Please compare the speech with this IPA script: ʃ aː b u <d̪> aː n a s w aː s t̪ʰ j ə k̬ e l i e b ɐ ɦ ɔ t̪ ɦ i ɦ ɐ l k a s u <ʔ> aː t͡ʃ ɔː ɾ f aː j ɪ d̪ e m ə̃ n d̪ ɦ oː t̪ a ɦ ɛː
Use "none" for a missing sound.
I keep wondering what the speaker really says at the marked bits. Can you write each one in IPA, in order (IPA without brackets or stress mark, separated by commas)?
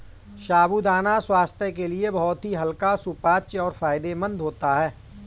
d̪, p